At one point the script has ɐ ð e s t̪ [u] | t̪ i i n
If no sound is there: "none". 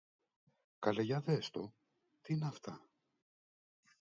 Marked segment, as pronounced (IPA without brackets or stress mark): o